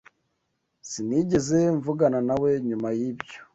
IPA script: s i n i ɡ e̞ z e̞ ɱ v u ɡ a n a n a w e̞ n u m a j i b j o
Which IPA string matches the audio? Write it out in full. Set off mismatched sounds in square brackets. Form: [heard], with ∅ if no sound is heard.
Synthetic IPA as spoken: s i n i [ɟ] e̞ z e̞ ɱ v u ɡ a n a n a w e̞ [ɲ] u m a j i b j o